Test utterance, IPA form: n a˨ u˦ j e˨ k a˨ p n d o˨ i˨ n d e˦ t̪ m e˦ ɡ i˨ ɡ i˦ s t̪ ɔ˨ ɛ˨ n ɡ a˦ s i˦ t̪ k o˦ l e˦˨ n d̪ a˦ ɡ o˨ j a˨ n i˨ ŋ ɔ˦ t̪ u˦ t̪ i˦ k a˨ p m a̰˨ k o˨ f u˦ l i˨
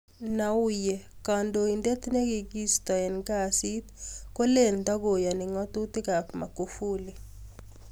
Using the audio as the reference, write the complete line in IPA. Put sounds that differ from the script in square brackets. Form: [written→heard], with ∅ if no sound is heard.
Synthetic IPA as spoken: n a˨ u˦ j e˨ k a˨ [p→∅] n d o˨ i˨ n d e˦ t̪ [m→n] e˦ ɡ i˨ ɡ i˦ s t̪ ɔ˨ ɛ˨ n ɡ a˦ s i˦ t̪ k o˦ l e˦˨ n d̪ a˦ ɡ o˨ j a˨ n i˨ ŋ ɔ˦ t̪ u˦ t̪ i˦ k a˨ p m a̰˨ k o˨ f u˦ l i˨